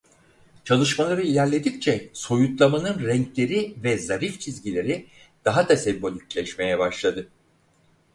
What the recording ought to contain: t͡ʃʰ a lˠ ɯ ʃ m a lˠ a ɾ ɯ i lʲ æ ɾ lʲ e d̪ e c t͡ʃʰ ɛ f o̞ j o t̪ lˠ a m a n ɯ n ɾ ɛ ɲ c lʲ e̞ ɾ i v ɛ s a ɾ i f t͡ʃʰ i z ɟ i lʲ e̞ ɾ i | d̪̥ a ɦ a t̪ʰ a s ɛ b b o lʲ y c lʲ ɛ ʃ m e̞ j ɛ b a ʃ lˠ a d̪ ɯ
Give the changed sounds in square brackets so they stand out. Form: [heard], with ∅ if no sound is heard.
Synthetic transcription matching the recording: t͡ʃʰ a lˠ ɯ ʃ m a lˠ a ɾ ɯ i lʲ æ ɾ lʲ e d̪ [i] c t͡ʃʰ ɛ [s] o̞ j [u] t̪ lˠ a m a n ɯ n ɾ ɛ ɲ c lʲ e̞ ɾ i v ɛ [z] a ɾ i f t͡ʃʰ i z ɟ i lʲ e̞ ɾ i | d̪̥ a ɦ a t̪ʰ a s ɛ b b o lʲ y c lʲ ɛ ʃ m e̞ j ɛ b a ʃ lˠ a d̪ ɯ